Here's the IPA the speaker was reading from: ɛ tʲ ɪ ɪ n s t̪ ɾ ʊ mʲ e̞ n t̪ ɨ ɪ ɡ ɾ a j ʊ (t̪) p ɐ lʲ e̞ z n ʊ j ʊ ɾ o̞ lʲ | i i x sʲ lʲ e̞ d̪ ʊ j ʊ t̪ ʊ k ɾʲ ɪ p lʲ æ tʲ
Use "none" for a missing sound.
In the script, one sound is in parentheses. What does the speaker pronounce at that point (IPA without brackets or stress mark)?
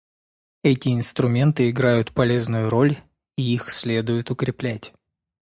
t̪